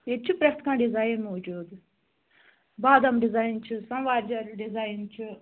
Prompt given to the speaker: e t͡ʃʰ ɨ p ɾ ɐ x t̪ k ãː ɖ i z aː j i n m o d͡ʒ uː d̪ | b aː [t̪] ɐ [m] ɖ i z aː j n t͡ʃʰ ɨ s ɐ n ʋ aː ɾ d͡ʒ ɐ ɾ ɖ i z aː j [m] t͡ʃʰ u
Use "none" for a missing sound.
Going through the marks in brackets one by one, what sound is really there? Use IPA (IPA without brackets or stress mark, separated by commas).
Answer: d̪, m, n